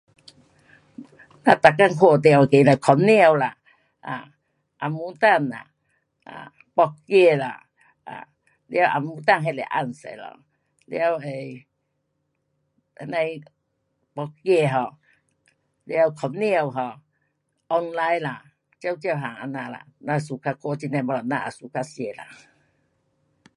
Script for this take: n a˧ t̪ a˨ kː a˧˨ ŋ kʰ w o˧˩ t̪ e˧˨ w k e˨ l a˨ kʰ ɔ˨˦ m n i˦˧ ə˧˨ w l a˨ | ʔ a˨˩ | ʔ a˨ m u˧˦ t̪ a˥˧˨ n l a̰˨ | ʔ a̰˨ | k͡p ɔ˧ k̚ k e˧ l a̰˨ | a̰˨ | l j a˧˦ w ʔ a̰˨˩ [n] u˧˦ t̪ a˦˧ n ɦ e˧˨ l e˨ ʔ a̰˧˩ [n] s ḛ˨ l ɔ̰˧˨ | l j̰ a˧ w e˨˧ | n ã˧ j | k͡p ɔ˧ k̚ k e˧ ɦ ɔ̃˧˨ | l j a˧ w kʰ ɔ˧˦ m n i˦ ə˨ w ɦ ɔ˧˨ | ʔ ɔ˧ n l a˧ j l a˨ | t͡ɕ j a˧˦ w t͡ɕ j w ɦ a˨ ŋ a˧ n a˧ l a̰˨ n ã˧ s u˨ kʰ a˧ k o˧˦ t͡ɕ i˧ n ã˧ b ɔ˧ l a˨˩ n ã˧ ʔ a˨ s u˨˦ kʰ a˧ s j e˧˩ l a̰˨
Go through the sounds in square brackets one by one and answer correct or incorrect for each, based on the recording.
incorrect, correct

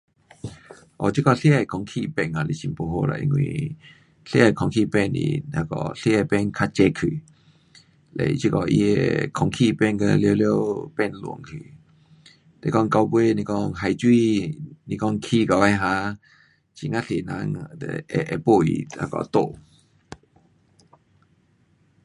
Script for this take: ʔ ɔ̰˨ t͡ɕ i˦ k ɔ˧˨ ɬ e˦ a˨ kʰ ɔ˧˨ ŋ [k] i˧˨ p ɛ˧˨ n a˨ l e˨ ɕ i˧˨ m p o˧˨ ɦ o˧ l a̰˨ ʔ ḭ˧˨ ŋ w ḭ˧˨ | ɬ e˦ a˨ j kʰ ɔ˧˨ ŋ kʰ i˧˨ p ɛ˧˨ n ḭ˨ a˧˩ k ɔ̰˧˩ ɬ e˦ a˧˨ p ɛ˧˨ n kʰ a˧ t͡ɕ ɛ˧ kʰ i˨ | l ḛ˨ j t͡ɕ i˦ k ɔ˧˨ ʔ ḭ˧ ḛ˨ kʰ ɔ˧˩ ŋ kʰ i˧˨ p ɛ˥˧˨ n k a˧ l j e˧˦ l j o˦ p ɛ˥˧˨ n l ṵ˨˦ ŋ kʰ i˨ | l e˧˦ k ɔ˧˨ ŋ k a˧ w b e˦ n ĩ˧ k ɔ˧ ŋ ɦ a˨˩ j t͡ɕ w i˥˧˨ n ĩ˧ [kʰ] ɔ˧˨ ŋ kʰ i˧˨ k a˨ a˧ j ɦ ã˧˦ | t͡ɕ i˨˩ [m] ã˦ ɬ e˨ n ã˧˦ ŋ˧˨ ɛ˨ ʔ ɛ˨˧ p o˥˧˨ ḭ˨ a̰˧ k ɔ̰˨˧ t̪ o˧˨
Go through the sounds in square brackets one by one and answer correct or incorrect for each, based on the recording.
incorrect, incorrect, incorrect

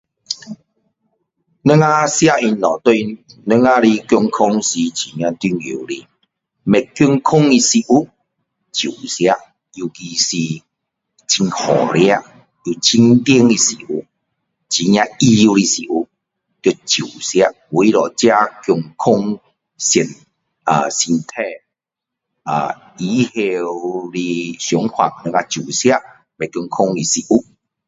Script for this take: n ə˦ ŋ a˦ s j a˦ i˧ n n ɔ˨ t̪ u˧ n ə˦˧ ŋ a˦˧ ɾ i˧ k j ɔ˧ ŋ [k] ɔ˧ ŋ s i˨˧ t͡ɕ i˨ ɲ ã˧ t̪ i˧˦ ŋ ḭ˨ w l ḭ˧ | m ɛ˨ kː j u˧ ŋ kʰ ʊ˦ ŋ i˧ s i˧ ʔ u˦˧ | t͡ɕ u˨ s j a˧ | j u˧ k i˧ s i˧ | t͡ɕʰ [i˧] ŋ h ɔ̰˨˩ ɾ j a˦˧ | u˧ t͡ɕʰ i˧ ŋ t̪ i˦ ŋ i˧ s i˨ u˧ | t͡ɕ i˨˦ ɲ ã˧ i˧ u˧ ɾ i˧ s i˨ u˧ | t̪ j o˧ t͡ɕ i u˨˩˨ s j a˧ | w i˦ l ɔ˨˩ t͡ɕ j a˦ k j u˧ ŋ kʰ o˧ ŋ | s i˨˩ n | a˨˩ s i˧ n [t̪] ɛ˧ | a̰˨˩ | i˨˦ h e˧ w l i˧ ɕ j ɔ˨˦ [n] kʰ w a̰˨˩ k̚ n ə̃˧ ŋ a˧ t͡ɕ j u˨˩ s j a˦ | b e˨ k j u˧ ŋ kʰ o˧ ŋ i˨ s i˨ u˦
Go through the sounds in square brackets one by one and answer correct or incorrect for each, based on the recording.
incorrect, correct, incorrect, incorrect

